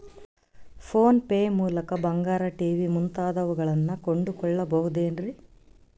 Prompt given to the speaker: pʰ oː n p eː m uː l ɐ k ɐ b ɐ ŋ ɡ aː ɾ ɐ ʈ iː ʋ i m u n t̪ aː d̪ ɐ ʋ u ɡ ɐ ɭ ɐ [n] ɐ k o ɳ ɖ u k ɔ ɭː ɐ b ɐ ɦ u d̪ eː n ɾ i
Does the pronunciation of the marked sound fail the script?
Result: yes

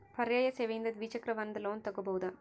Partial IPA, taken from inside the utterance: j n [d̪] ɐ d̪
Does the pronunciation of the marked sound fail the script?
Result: no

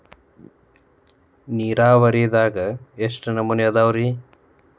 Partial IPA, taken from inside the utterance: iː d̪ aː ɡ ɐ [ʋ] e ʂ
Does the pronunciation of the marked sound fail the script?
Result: yes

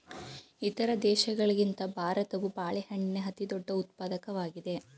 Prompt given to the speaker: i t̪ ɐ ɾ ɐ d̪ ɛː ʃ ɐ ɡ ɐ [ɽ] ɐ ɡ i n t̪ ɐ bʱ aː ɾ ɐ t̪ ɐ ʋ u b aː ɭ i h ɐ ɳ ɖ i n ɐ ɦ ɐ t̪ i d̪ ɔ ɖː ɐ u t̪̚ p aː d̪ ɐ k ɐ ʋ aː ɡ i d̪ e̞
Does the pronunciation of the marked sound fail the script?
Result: yes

